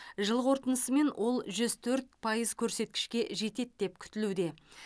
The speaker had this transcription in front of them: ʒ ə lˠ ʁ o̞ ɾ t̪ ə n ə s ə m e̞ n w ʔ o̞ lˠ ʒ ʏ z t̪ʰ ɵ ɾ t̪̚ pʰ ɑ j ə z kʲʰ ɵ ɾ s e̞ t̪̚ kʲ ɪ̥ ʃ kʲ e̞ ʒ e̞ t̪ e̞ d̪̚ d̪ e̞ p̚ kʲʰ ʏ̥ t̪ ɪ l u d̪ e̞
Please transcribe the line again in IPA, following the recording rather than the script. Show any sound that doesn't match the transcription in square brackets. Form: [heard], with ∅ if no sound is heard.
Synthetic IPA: ʒ ə lˠ ʁ o̞ ɾ t̪ ə n ə s ə m e̞ n w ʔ o̞ lˠ ʒ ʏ z t̪ʰ ɵ ɾ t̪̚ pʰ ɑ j ə z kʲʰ ɵ ɾ s e̞ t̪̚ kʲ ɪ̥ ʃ kʲ e̞ ʒ e̞ t̪ e̞ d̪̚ d̪ e̞ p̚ kʲʰ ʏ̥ t̪ ɪ l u d̪ e̞